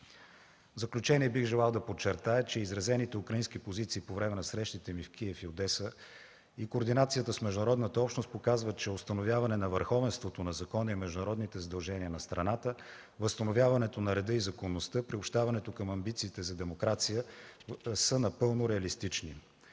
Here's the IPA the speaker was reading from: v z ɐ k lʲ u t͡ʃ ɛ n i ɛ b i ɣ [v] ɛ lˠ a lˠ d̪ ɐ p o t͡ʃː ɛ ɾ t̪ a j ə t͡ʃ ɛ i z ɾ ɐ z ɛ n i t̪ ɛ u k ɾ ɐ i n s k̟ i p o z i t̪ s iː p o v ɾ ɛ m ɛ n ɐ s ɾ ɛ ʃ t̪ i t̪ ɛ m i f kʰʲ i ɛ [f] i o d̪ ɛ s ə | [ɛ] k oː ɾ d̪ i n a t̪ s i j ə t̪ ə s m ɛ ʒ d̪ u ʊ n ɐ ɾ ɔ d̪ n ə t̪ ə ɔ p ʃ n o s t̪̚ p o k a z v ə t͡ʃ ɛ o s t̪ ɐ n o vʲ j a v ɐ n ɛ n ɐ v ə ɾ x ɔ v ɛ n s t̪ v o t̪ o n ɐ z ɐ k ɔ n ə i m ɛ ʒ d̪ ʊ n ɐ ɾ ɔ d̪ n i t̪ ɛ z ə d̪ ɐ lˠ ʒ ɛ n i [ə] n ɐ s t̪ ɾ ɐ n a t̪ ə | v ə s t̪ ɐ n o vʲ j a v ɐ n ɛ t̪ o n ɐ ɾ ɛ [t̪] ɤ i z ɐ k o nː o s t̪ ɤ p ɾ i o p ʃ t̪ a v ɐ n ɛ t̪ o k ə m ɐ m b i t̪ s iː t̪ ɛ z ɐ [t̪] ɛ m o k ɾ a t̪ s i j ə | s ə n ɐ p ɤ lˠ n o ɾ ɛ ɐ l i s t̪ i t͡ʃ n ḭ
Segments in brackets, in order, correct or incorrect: incorrect: ʒ, correct, incorrect: i, correct, incorrect: d̪, incorrect: d̪

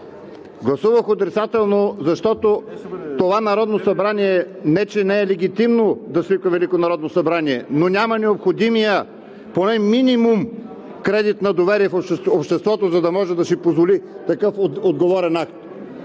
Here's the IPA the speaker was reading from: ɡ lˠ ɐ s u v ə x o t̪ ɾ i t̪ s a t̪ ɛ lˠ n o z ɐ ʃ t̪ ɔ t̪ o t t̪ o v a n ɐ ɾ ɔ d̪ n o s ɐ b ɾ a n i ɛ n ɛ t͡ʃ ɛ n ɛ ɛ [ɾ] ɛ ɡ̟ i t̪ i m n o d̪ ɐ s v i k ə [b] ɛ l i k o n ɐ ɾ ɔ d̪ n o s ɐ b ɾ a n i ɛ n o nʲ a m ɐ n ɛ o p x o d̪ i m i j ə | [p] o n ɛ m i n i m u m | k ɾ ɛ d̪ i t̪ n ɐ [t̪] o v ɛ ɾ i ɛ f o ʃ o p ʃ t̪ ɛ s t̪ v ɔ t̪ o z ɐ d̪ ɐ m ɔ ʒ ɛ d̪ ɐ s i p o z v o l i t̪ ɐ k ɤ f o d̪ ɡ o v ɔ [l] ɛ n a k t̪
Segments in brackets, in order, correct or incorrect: incorrect: l, incorrect: v, correct, incorrect: d̪, incorrect: ɾ

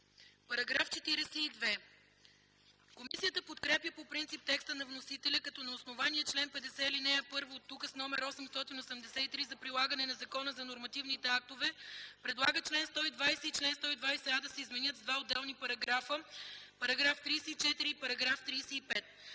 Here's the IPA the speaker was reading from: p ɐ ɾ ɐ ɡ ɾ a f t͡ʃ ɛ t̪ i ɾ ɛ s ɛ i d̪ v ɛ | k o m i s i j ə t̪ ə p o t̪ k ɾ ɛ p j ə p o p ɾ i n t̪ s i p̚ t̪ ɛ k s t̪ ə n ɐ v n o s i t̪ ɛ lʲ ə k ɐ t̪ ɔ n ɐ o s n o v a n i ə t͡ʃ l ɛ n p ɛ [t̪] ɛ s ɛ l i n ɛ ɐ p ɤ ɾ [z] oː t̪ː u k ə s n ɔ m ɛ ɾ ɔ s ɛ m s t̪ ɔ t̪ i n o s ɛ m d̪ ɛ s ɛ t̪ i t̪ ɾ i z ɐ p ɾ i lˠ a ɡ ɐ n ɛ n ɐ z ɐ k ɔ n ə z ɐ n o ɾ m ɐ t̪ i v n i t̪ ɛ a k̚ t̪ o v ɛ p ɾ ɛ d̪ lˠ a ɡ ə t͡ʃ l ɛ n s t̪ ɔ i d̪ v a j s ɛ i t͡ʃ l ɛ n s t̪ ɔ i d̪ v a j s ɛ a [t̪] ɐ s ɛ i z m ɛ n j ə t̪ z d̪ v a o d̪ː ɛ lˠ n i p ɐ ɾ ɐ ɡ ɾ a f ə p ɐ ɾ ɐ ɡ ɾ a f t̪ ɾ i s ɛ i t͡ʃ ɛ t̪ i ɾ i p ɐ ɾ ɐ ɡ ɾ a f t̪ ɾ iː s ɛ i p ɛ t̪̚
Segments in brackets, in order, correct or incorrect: incorrect: d̪, incorrect: v, incorrect: d̪

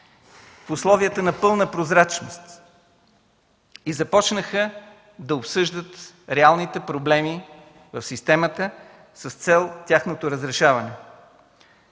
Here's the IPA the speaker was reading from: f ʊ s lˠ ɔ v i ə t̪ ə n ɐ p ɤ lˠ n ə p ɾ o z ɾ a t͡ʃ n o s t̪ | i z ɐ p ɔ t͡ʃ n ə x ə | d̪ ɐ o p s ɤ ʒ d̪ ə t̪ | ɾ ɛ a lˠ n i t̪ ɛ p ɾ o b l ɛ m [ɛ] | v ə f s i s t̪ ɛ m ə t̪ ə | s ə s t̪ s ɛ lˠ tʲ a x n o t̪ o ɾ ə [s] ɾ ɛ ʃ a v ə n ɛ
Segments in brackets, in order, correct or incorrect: incorrect: i, incorrect: z

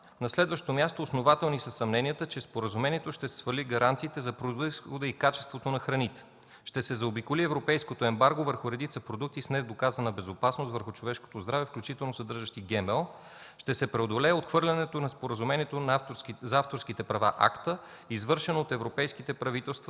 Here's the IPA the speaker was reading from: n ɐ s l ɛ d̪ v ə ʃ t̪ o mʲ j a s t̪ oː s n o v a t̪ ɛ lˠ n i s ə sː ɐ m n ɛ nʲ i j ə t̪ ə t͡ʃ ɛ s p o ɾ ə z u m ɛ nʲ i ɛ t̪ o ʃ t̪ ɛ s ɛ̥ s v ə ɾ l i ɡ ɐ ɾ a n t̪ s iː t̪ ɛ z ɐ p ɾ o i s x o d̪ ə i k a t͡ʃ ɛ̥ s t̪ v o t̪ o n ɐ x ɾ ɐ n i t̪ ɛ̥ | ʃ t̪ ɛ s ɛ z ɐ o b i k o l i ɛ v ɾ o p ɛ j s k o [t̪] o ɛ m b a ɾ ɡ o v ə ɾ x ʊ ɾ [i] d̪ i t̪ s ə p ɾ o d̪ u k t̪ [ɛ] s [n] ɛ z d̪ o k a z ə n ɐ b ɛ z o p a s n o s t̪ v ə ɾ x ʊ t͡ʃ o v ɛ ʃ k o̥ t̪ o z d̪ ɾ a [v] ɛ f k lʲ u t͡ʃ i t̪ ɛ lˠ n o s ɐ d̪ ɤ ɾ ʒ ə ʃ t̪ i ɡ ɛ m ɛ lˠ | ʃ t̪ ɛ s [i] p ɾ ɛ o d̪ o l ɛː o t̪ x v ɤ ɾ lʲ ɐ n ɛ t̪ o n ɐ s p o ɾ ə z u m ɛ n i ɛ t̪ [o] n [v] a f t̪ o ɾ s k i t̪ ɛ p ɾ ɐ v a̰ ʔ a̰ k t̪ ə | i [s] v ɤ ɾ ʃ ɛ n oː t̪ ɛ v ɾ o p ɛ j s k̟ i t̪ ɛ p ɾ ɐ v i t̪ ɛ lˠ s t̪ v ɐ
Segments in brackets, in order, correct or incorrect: correct, incorrect: ɛ, incorrect: i, correct, correct, incorrect: ɛ, correct, incorrect: z, incorrect: z

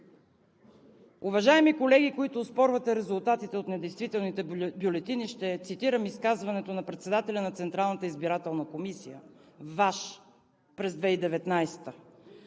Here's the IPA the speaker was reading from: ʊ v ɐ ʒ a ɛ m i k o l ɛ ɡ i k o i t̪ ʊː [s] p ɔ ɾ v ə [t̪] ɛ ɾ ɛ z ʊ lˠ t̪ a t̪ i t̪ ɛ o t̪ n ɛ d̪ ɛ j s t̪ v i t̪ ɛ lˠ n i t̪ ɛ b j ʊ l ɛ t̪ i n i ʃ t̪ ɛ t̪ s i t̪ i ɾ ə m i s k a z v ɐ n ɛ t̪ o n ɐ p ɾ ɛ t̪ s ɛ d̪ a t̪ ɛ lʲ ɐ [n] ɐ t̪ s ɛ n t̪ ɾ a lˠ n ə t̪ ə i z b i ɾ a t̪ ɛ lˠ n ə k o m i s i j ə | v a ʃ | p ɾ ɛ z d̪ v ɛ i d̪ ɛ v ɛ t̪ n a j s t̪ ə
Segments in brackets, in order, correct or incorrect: correct, correct, correct

